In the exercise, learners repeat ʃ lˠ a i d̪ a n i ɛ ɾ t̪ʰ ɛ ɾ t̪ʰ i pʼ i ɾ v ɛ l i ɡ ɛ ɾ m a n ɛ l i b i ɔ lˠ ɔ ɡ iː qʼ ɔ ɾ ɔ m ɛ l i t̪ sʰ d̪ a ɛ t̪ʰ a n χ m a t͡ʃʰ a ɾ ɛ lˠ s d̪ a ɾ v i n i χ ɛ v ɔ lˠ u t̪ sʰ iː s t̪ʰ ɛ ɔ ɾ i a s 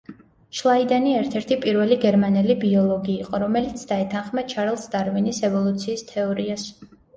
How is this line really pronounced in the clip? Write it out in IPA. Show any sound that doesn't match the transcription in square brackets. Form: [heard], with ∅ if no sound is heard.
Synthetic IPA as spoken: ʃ lˠ a i d̪ a n i ɛ ɾ t̪ʰ ɛ ɾ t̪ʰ i pʼ i ɾ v ɛ l i ɡ ɛ ɾ m a n ɛ l i b i ɔ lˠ ɔ ɡ iː qʼ ɔ ɾ ɔ m ɛ l i t̪ sʰ d̪ a ɛ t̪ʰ a n χ m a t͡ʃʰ a ɾ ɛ lˠ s d̪ a ɾ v i n i [s] ɛ v ɔ lˠ u t̪ sʰ iː s t̪ʰ ɛ ɔ ɾ i a s